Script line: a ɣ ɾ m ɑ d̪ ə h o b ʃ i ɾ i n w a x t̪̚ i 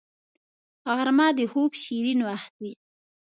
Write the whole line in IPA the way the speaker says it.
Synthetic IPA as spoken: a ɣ ɾ m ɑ d̪ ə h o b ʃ i ɾ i n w a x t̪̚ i